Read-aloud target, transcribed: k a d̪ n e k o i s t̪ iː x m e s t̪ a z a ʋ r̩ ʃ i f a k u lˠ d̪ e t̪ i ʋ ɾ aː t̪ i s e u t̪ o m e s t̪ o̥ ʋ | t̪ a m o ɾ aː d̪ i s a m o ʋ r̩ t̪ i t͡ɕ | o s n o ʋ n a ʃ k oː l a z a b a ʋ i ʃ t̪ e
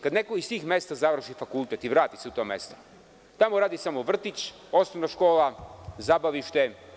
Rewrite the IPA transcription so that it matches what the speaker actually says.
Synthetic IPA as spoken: k a d̪ n e k o i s t̪ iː x m e s t̪ a z a ʋ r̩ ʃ i f a k u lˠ t̪ e t̪ i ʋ ɾ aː t̪ i s e u t̪ o m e s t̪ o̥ | t̪ a m o ɾ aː d̪ i s a m o ʋ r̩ t̪ i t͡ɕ | o s n o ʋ n a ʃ k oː l a z a b a ʋ i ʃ t̪ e